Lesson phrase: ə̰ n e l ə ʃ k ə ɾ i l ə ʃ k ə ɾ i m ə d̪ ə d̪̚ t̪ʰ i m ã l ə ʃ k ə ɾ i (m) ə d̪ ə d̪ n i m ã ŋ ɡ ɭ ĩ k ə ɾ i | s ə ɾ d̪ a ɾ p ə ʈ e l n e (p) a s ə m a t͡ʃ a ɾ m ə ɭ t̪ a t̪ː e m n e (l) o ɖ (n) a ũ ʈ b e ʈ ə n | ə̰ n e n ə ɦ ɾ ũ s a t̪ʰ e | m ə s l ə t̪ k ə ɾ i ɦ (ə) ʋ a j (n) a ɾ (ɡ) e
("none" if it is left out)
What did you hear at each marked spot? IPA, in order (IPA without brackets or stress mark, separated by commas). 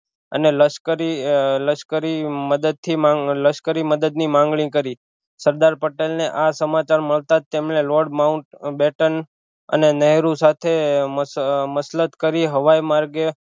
m, ʔ, l, m, ə, m, ɡ